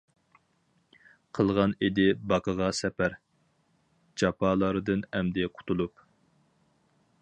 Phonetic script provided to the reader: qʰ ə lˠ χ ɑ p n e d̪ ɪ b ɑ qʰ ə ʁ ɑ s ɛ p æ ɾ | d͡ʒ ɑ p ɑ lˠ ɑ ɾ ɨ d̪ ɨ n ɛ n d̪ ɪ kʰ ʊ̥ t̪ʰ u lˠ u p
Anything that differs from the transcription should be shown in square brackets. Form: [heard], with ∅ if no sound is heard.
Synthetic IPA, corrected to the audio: qʰ ə lˠ [ʁ] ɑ [∅] n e d̪ ɪ b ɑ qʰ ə ʁ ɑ s ɛ p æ ɾ | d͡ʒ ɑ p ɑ lˠ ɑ ɾ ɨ d̪ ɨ n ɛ [m] d̪ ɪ [qʰ] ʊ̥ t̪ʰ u lˠ u p